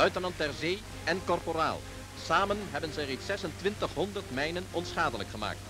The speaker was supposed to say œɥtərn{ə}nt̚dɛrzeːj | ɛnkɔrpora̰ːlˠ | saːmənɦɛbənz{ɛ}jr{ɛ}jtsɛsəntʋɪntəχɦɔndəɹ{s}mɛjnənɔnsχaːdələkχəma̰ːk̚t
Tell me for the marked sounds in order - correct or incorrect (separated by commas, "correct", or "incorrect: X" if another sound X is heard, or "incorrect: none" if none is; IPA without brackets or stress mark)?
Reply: incorrect: ɑ, correct, incorrect: e, incorrect: t